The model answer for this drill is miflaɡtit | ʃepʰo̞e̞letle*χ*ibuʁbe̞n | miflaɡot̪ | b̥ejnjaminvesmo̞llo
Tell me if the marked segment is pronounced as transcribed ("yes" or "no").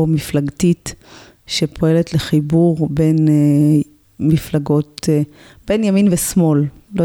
yes